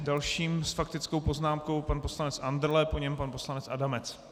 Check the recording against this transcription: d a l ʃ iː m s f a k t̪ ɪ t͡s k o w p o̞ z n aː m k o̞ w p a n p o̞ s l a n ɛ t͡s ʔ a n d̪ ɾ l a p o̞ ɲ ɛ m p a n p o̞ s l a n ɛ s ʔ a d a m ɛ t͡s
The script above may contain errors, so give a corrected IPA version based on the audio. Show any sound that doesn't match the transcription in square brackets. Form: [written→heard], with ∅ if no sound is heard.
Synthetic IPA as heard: d a l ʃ iː m s f a k t̪ ɪ t͡s k o w p o̞ z n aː m k o̞ w p a n p o̞ s l a n ɛ t͡s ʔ a n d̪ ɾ l [a→ɛ] p o̞ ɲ ɛ m p a n p o̞ s l a n ɛ [s→t͡s] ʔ a d a m ɛ t͡s